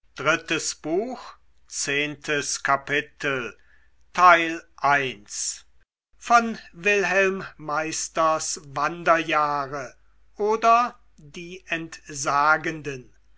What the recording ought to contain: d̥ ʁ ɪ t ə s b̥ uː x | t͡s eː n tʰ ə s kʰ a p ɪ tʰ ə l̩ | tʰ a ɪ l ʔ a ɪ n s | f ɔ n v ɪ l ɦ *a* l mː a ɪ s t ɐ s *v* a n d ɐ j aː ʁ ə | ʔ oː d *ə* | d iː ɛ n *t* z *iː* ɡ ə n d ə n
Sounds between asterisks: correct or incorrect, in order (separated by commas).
incorrect, correct, incorrect, correct, incorrect